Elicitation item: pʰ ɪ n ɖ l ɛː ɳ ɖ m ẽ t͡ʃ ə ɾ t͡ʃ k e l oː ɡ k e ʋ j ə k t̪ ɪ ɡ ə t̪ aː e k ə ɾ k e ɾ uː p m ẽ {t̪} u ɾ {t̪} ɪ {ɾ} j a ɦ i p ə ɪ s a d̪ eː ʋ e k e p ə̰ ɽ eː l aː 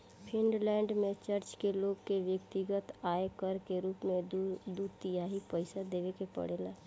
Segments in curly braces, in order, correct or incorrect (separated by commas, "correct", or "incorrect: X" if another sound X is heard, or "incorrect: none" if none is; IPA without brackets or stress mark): incorrect: d̪, correct, incorrect: none